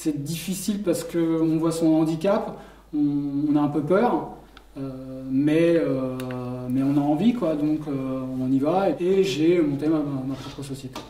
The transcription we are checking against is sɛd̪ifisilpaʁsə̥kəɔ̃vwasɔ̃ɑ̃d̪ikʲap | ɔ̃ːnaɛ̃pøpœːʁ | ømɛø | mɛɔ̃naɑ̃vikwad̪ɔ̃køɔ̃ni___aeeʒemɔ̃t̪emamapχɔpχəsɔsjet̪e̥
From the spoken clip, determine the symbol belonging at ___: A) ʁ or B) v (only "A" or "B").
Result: B